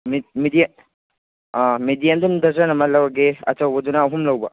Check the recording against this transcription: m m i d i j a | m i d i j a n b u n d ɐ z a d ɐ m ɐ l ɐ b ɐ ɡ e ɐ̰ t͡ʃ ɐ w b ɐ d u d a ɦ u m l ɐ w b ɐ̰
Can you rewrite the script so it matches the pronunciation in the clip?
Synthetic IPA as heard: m m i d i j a | m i d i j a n d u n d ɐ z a n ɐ m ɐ l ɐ w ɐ ɡ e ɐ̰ t͡ʃ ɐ w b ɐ d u n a ɦ u m l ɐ w b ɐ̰